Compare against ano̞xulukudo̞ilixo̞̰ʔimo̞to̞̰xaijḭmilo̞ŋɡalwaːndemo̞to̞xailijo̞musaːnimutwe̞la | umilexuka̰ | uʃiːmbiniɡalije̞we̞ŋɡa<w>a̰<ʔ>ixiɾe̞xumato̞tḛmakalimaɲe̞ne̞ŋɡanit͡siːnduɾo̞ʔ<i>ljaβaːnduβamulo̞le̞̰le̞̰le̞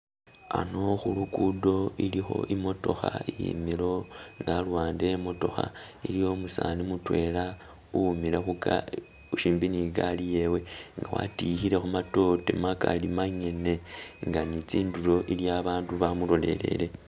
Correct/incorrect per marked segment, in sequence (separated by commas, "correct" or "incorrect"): correct, incorrect, correct